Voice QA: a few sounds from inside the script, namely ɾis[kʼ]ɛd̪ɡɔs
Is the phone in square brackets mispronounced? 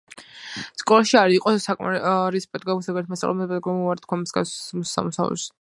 yes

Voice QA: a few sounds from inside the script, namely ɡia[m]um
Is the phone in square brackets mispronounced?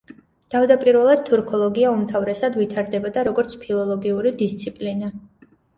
yes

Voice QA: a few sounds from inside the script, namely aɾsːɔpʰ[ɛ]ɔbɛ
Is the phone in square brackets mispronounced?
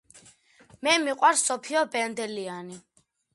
yes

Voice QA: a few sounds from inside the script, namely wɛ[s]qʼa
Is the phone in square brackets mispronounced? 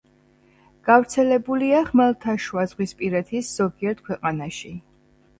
yes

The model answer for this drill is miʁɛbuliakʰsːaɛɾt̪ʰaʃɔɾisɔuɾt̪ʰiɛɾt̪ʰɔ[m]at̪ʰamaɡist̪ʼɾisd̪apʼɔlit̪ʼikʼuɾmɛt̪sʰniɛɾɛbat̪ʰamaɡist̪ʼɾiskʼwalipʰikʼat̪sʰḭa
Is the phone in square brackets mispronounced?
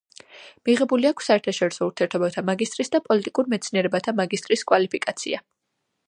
yes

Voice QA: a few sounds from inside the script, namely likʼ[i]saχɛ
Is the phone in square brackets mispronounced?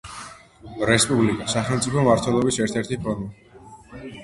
yes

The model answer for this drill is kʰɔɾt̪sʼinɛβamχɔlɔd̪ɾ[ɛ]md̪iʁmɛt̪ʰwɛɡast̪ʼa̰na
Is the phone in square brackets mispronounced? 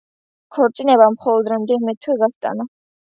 no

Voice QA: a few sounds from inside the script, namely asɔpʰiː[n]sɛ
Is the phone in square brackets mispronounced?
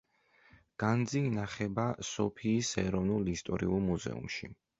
yes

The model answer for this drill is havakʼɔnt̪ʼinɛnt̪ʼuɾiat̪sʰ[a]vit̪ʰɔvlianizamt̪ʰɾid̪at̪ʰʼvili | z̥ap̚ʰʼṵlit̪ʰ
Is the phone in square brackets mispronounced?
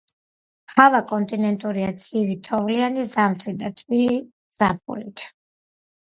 yes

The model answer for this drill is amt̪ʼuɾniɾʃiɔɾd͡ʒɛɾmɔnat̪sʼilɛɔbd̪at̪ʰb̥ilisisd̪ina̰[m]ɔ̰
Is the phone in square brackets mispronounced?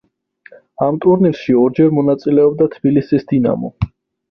no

